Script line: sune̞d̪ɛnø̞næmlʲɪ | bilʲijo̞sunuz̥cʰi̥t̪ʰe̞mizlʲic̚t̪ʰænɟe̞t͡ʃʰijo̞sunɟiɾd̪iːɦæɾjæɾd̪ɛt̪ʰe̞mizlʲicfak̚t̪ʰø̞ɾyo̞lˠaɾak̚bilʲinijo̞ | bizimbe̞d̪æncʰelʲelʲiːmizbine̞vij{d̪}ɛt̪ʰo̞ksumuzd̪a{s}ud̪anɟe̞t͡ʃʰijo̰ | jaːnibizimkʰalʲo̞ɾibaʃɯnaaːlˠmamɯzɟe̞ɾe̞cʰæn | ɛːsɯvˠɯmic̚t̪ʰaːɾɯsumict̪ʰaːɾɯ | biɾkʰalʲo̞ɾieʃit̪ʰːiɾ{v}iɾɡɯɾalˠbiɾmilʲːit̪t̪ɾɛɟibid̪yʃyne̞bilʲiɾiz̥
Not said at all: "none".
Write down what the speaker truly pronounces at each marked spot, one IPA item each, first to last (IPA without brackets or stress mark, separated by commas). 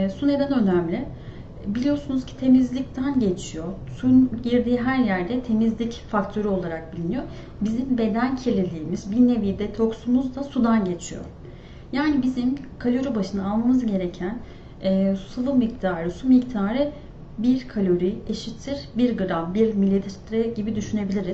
d̪, s, b